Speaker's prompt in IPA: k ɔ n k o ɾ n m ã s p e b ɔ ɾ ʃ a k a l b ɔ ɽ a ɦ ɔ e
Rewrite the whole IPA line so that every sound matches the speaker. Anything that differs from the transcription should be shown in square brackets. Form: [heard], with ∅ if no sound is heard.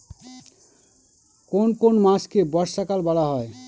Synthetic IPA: k [o] n k o [∅] n m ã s [k] e b ɔ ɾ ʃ a k a l b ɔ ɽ a ɦ ɔ e